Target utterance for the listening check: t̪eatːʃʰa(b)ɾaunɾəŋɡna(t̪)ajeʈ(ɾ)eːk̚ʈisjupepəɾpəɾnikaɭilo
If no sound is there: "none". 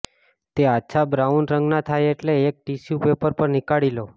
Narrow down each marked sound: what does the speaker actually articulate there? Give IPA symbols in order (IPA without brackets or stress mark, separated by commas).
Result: b, t̪ʰ, l